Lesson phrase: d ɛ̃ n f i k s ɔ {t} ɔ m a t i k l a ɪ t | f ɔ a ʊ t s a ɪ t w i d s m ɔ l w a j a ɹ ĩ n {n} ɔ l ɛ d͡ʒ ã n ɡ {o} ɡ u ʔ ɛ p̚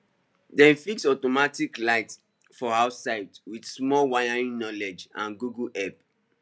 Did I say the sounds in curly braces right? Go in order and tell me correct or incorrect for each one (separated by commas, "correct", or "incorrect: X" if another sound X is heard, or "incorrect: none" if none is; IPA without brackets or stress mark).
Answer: correct, correct, incorrect: u